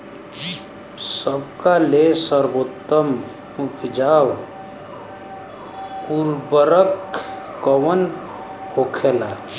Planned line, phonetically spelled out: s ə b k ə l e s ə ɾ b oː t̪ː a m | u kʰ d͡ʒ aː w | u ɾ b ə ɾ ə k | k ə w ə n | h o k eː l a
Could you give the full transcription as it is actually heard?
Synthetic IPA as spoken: s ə b k a l e s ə ɾ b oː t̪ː ə m | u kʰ d͡ʒ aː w | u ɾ b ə ɾ ə k | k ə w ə n | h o kʰ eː l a